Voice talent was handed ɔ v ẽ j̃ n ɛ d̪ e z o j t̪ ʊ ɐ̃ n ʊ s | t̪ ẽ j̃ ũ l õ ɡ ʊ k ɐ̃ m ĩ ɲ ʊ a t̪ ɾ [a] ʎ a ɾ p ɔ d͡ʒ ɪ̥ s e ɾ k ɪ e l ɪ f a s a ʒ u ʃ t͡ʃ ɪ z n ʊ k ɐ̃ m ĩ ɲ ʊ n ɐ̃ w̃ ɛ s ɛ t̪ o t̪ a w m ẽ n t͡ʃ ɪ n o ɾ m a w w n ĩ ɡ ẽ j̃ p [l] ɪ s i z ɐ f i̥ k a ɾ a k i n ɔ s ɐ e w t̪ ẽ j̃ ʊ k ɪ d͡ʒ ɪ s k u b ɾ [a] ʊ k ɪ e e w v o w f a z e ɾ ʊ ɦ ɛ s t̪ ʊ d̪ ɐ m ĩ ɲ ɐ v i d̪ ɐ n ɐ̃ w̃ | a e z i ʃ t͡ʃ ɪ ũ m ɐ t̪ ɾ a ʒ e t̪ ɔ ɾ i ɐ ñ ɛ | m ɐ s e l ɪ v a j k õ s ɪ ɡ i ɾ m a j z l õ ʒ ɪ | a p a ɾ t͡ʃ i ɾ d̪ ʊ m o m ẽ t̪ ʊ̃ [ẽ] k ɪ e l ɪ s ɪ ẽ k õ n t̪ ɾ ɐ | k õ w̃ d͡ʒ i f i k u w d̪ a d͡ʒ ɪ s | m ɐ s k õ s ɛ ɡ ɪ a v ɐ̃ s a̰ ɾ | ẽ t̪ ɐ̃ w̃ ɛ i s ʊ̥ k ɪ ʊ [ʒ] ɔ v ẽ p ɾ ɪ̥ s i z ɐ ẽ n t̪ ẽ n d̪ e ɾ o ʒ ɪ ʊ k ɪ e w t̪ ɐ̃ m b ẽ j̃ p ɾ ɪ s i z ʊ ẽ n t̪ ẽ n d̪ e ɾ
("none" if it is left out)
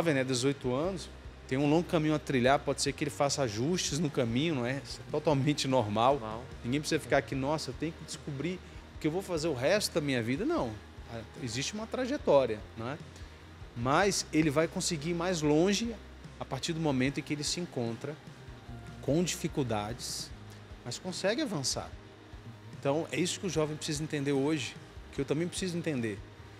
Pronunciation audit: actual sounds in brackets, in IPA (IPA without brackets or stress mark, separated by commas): i, ɾ, i, ẽ, ʒ